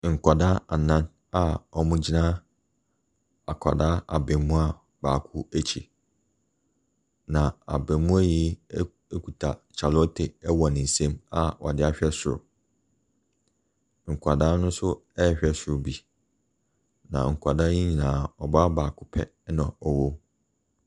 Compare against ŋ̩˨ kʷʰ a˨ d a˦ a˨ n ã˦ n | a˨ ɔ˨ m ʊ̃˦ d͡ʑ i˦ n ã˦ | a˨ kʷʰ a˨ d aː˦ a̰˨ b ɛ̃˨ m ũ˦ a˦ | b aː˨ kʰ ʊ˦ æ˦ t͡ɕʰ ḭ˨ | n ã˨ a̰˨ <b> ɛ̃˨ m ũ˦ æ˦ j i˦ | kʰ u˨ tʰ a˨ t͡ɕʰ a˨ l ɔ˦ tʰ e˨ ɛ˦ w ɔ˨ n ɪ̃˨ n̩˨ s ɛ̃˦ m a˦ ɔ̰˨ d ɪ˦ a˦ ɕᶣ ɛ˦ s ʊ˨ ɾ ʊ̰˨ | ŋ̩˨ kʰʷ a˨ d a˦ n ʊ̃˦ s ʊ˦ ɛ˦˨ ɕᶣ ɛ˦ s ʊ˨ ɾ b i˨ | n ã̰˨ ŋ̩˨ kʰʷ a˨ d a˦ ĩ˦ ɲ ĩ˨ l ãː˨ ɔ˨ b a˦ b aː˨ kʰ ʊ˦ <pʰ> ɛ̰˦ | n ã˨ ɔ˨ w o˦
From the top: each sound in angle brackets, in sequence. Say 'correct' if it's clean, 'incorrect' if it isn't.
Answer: correct, correct

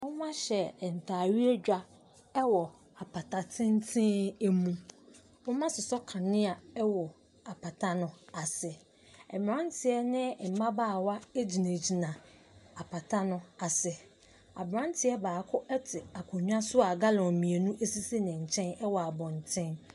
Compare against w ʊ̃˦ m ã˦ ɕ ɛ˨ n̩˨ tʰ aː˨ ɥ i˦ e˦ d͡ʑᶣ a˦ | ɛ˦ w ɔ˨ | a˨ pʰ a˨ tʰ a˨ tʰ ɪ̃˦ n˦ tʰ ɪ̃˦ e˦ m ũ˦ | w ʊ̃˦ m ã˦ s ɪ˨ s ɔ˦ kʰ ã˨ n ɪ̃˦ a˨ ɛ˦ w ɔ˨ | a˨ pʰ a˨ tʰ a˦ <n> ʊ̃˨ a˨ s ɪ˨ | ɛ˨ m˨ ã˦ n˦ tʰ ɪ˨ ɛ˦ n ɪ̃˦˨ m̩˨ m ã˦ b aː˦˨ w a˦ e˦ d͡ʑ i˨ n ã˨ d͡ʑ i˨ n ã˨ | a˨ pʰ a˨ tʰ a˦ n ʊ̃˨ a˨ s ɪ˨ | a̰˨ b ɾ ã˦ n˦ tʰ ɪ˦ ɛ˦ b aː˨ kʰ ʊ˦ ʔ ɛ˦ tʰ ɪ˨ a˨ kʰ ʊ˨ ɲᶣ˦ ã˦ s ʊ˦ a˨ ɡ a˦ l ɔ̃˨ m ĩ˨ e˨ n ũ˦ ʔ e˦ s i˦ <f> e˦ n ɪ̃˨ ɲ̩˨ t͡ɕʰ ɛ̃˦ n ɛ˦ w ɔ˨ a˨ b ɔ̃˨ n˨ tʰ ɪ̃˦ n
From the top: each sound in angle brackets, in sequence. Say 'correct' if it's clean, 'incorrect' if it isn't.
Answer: correct, incorrect: s

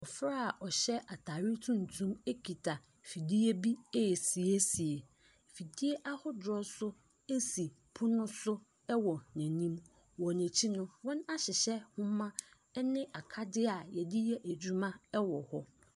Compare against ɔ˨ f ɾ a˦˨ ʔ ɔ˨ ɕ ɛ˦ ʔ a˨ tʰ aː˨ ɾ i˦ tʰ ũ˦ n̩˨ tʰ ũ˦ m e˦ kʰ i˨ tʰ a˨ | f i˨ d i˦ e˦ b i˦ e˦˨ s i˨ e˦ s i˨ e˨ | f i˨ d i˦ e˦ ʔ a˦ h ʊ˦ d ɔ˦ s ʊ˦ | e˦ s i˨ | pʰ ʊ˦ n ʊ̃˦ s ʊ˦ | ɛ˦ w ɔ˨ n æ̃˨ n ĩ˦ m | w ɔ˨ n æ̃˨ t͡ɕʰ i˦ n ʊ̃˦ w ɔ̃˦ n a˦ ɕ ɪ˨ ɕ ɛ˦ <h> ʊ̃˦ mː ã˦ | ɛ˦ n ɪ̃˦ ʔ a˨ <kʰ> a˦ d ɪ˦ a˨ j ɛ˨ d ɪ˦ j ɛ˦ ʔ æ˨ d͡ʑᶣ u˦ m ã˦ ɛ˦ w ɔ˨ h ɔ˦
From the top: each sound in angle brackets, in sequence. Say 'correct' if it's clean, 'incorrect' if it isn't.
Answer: correct, correct

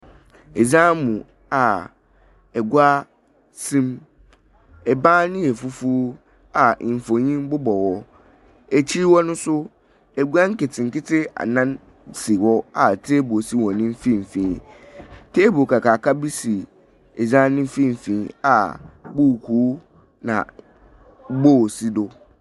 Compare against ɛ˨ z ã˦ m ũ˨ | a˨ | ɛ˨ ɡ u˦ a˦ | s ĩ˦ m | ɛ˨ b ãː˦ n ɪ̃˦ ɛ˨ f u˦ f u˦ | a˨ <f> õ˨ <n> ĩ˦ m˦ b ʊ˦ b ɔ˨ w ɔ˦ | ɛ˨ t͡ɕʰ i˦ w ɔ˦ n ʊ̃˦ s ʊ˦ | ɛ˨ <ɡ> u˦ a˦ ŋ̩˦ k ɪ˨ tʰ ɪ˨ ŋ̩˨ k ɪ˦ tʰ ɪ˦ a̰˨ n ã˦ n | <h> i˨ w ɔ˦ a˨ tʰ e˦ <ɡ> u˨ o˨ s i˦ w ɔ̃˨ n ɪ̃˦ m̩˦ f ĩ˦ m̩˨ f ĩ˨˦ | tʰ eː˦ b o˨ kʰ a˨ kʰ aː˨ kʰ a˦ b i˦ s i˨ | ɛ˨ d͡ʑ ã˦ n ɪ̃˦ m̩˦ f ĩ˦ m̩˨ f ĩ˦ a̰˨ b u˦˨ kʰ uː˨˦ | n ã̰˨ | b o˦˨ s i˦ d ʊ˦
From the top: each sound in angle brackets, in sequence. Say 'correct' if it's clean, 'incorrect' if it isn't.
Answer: correct, incorrect: ɲ, correct, incorrect: s, incorrect: b

